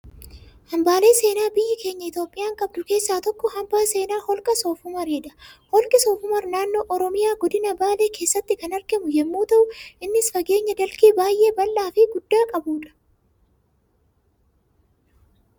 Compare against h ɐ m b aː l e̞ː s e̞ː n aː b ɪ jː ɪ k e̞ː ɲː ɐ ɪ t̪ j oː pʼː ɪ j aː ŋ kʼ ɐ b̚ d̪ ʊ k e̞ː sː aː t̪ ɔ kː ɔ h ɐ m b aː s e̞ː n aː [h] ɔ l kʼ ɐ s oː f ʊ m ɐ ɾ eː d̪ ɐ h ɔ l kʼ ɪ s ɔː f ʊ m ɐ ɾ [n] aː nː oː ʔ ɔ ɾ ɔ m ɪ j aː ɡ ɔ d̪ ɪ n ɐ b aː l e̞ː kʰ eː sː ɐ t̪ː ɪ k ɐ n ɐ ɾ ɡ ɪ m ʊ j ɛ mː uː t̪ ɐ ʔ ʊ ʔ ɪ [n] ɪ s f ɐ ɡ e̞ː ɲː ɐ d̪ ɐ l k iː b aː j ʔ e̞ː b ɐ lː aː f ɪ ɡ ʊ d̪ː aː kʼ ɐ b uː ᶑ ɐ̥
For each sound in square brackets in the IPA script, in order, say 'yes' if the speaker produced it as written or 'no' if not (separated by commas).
yes, yes, no